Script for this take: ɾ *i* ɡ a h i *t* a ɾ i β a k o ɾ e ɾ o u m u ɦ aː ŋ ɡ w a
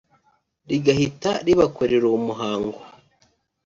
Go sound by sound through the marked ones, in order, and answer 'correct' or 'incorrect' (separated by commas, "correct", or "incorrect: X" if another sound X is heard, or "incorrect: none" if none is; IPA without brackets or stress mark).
correct, correct